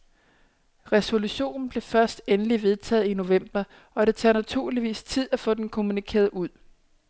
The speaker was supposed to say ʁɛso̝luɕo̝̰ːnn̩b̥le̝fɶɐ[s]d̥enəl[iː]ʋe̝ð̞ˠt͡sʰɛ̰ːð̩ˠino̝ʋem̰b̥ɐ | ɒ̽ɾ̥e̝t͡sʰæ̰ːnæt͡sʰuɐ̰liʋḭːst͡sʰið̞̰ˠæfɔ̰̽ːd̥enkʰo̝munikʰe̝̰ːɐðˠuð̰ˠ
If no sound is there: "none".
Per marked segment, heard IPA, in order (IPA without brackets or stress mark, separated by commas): s, i